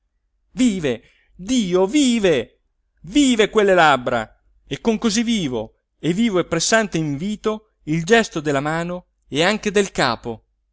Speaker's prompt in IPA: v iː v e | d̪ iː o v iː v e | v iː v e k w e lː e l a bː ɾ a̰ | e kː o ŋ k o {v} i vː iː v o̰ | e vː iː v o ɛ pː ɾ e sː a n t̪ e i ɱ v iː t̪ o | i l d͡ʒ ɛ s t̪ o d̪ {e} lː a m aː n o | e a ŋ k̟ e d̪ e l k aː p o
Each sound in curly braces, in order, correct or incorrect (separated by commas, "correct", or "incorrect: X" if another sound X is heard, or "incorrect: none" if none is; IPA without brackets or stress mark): incorrect: z, correct